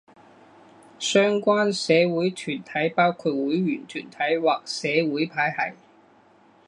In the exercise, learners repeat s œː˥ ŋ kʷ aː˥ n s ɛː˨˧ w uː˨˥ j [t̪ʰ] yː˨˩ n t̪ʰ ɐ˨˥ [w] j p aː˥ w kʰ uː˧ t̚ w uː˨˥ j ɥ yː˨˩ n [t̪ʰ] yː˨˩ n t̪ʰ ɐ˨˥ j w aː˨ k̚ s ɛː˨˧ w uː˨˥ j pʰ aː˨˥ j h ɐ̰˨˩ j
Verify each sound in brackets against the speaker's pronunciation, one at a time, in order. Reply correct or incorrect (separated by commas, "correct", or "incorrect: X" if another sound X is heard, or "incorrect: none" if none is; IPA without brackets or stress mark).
correct, incorrect: none, correct